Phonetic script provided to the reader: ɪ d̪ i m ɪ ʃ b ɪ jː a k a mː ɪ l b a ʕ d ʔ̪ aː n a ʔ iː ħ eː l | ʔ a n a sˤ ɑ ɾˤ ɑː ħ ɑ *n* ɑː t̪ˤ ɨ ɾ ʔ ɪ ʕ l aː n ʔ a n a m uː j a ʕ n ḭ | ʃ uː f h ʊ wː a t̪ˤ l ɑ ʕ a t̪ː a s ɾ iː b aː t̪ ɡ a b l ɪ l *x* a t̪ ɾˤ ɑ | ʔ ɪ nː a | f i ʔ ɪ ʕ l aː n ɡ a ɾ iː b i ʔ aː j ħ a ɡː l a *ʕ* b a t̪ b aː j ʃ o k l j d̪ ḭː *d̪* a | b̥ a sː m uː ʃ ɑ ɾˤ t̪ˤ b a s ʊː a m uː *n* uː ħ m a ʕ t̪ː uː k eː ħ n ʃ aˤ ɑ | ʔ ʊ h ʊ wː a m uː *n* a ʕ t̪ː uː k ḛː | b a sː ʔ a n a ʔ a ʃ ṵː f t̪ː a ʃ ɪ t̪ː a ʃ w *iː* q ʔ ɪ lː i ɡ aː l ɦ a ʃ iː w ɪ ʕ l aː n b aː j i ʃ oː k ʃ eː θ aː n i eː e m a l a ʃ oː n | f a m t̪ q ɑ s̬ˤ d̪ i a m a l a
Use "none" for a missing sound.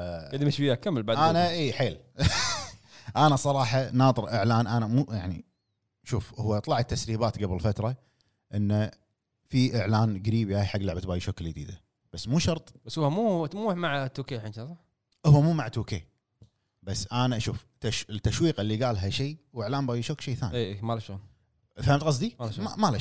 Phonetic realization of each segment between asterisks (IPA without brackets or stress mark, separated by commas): n, f, ʕ, d̪, m, m, iː